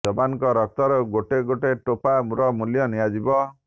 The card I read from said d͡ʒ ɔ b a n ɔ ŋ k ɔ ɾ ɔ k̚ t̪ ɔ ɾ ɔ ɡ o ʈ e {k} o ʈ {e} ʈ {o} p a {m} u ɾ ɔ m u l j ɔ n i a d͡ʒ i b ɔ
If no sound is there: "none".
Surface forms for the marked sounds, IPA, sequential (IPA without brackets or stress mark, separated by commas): ɡ, e, o, m